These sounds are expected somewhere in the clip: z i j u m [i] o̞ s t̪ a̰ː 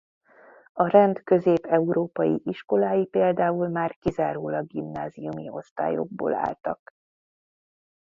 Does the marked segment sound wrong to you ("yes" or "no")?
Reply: no